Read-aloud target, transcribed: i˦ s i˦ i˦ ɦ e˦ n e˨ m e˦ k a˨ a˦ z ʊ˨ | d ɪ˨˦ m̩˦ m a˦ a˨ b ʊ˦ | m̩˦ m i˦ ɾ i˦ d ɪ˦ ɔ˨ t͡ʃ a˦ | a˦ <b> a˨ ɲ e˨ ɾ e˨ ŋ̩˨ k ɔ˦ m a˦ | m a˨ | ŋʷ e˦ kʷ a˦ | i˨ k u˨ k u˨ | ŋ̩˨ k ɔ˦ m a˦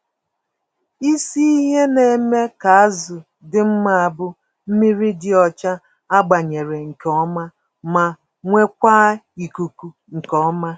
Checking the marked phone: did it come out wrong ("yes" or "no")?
yes